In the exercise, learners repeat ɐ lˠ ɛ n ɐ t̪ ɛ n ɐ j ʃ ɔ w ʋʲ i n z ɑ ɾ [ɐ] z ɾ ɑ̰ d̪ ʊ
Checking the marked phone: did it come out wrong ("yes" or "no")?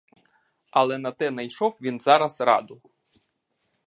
no